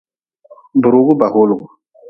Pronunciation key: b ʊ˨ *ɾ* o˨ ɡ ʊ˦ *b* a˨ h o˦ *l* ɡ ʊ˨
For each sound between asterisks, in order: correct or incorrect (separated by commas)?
correct, correct, correct